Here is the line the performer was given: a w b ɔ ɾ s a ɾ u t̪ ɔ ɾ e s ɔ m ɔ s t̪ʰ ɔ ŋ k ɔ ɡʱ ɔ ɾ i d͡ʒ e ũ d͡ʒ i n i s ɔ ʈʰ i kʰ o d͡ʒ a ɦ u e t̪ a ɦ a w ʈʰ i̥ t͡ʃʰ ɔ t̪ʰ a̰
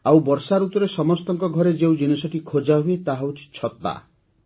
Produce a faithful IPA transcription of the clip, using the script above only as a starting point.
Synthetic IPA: a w b ɔ ɾ s a ɾ u t̪ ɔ ɾ e s ɔ m ɔ s t̪ ɔ ŋ k ɔ ɡʱ ɔ ɾ e d͡ʒ e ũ d͡ʒ i n i s ɔ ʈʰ i kʰ o d͡ʒ a ɦ u e t̪ a ɦ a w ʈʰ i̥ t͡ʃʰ ɔ t̪ a̰